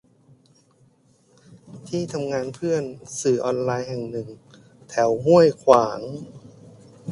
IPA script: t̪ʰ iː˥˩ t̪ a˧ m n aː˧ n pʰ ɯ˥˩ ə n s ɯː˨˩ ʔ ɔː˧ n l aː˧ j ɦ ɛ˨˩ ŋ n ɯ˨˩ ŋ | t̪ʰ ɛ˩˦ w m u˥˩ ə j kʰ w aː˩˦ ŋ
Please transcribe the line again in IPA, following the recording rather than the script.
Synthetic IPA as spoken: t̪ʰ iː˥˩ t̪ʰ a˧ m ŋ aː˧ n pʰ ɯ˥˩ ə n s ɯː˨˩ ʔ ɔː˧ n l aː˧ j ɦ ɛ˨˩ ŋ n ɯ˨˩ ŋ | t̪ʰ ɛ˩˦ w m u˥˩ ə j kʰ w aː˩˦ ŋ

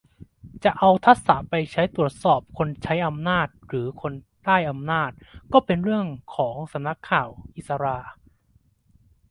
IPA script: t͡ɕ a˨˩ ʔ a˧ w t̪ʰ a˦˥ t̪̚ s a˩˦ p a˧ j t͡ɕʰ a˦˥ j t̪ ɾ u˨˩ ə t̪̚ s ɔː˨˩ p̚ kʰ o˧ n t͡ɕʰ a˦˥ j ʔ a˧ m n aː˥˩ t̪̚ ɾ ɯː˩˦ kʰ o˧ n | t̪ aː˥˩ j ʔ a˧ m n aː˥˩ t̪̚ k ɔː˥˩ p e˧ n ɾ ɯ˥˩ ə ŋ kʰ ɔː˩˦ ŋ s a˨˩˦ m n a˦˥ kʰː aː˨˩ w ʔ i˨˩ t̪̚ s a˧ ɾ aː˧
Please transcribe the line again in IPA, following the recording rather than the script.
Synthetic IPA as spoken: t͡ɕ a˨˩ ʔ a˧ w t̪ʰ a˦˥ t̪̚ s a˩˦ p a˧ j t͡ɕʰ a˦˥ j t̪ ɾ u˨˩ ə t̪̚ s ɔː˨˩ p̚ kʰ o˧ n t͡ɕʰ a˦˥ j ʔ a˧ m n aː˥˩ t̪̚ ɾ ɯː˩˦ kʰ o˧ n | t̪ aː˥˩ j ʔ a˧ m n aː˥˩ t̪̚ k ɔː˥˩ p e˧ n ɾ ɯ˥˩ ə ŋ kʰ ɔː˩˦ ŋ s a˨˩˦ m n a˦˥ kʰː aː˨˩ w ʔ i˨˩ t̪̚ s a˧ ɾ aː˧

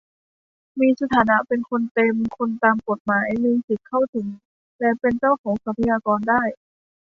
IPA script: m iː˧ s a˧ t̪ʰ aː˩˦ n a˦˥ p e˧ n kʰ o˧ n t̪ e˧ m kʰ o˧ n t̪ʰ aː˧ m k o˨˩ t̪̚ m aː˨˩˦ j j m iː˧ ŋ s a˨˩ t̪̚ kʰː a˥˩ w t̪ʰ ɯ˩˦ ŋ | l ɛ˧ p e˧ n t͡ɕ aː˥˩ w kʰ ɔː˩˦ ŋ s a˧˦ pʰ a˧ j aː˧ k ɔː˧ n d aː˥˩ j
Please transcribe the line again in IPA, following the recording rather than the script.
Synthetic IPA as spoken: m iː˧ s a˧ t̪ʰ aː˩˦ n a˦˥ p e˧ n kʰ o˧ n t̪ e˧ m kʰ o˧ n t̪ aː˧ m k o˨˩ t̪̚ m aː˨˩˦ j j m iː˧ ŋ s i˨˩ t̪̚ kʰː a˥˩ w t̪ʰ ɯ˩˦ ŋ | l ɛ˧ p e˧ n t͡ɕ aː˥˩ w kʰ ɔː˩˦ ŋ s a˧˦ pʰ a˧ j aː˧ k ɔː˧ n d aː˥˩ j

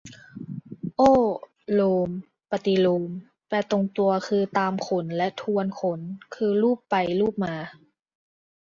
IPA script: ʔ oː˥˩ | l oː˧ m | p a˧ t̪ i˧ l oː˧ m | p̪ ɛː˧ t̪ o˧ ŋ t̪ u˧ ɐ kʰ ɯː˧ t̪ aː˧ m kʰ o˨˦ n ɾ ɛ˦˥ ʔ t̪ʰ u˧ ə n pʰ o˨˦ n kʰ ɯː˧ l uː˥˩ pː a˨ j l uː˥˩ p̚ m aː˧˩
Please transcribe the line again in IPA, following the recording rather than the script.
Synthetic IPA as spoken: ʔ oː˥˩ | l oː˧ m | p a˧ t̪ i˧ l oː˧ m | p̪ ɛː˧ t̪ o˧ ŋ t̪ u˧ ɐ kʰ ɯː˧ t̪ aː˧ m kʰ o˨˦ n l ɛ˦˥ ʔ t̪ʰ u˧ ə n kʰ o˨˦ n kʰ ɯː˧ l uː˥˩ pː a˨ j l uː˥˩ p̚ m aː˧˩

